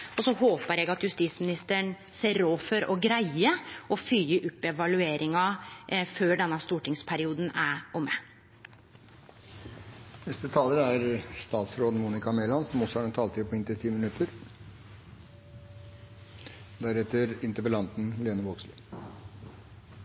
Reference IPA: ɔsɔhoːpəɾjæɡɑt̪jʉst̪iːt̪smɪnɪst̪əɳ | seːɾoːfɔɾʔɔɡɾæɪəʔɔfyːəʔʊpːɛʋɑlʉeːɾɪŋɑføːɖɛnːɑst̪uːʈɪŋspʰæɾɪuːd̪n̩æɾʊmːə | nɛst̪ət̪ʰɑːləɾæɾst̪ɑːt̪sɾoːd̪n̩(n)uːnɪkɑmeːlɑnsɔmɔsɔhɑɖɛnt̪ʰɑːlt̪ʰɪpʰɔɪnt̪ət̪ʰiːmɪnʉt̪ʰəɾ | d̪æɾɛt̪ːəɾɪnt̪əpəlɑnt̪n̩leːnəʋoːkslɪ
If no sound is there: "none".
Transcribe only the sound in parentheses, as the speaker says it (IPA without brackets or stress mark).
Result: m